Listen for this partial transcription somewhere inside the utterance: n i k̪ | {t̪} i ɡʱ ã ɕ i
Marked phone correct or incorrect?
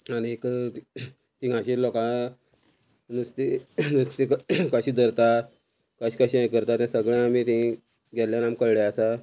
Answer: correct